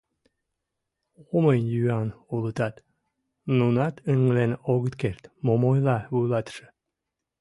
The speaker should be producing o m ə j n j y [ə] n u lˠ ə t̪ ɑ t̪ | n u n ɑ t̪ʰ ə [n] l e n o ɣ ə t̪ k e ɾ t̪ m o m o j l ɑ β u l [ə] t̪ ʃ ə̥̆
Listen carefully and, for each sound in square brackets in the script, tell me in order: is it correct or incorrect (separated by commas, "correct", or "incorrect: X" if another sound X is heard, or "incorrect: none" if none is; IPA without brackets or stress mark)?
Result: incorrect: ɑ, incorrect: ŋ, incorrect: ɑ